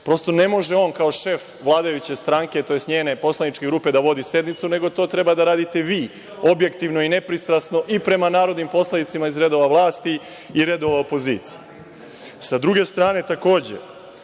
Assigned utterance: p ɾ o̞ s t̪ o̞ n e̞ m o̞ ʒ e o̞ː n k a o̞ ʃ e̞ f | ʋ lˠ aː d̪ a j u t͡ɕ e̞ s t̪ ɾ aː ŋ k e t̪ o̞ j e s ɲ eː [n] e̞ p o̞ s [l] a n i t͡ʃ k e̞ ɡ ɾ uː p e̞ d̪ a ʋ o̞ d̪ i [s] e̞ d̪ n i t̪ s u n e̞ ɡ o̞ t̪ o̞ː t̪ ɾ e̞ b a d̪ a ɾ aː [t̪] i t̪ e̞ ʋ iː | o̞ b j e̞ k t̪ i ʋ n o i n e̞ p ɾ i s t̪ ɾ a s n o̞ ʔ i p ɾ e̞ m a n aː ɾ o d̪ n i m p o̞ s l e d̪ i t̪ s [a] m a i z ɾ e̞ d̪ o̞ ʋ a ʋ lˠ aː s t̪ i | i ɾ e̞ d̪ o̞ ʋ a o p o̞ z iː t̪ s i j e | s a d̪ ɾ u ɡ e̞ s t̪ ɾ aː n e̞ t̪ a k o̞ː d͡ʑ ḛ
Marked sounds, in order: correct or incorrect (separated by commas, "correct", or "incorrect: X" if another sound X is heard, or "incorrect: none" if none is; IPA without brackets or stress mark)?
correct, correct, correct, incorrect: d̪, incorrect: i